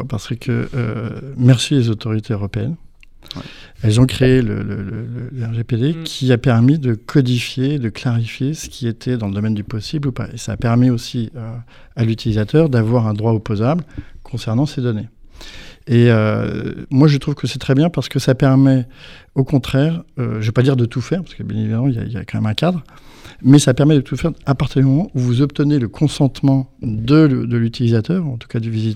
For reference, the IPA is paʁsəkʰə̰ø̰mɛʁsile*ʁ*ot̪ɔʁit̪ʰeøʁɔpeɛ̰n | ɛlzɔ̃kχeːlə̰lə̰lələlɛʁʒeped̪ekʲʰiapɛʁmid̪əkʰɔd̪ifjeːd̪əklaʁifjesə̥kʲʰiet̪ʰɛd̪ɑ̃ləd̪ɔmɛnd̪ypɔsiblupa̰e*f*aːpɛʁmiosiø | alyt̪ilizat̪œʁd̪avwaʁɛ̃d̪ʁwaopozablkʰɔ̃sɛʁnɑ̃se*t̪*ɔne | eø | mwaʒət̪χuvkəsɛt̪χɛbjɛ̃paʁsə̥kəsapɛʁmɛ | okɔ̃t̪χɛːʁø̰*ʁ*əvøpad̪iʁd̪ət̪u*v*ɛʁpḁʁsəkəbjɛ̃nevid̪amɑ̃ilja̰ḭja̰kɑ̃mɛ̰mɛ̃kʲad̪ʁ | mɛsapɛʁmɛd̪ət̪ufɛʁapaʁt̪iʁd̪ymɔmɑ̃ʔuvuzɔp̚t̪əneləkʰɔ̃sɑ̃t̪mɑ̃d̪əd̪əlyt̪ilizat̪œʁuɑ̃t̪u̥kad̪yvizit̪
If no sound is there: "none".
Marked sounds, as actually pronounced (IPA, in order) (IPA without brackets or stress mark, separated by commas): z, s, d̪, ʒ, f